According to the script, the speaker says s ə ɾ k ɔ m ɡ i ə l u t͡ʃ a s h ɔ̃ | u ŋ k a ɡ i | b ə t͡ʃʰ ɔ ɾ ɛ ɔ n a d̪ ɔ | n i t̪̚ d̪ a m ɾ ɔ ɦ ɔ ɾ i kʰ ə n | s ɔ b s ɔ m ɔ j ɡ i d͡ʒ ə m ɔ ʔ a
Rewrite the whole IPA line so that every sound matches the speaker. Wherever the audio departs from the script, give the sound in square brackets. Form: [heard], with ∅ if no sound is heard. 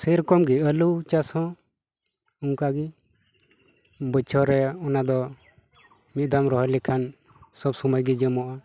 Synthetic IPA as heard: s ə ɾ k ɔ m ɡ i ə l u t͡ʃ a s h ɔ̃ | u ŋ k a ɡ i | b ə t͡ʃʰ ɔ ɾ ɛ ɔ n a d̪ ɔ | [m] i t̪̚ d̪ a m ɾ ɔ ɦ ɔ [l] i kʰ [a] n | s ɔ b s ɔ m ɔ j ɡ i d͡ʒ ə m ɔ ʔ a